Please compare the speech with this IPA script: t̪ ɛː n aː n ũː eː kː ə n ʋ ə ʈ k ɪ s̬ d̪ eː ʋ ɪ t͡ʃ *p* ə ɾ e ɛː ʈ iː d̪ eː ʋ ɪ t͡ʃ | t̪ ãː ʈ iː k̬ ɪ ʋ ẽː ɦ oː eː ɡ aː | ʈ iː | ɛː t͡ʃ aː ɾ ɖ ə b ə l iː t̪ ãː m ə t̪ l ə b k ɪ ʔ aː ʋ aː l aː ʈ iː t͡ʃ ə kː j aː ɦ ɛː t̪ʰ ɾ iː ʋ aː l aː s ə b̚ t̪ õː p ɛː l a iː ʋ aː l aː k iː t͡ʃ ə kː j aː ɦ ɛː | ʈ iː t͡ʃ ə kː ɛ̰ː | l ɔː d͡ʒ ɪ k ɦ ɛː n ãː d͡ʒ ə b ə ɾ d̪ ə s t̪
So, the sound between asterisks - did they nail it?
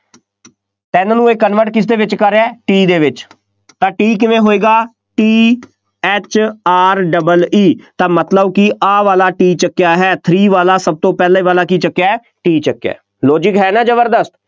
no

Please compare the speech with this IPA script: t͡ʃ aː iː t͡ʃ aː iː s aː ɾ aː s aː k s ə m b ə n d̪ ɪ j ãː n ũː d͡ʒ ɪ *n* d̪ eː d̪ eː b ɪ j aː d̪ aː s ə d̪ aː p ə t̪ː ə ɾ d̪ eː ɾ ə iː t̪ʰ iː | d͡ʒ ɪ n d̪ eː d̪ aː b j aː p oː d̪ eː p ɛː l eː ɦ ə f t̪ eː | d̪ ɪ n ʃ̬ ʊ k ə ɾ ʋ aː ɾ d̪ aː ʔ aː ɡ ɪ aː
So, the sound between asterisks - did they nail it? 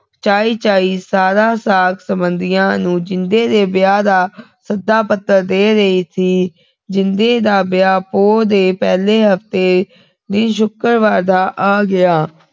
yes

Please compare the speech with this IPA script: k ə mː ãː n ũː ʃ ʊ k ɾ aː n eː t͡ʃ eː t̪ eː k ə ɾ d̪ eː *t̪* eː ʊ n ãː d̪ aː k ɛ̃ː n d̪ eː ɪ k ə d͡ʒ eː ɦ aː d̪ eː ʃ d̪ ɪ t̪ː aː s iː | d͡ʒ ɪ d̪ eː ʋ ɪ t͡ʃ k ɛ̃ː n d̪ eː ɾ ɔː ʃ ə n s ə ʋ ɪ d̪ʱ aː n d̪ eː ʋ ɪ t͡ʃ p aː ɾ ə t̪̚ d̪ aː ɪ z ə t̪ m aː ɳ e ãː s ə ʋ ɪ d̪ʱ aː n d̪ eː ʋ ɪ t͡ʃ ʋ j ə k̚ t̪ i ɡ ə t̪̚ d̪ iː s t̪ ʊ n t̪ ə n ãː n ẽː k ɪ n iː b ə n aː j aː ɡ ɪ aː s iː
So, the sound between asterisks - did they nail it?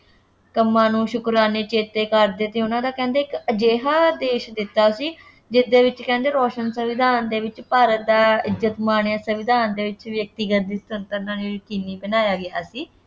yes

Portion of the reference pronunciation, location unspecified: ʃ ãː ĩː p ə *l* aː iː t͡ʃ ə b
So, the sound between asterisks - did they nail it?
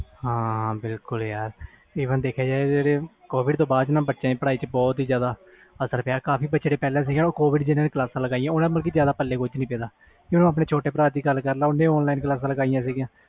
no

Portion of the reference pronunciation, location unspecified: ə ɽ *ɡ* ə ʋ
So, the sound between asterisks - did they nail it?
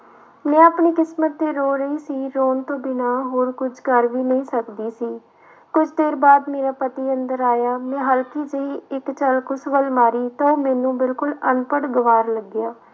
yes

